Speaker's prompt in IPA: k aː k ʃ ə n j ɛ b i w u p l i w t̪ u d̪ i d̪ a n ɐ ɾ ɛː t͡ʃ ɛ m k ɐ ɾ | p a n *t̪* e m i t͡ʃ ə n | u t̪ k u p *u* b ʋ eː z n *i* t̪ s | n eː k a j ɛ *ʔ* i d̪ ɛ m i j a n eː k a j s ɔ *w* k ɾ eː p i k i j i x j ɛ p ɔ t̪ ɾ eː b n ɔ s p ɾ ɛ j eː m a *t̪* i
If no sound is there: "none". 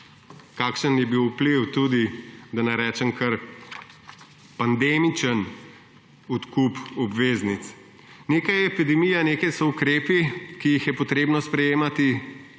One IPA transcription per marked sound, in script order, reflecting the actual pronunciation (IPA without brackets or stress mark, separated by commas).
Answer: d̪, ɔ, i, p, u, t̪